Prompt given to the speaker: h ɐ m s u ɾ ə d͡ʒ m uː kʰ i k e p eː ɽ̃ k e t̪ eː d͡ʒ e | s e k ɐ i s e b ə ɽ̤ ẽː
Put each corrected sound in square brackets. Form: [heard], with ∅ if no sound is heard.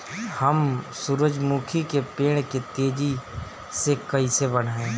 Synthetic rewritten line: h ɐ m s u ɾ ə d͡ʒ m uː kʰ i k e p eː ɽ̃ k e t̪ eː d͡ʒ [i] | s e k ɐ i s e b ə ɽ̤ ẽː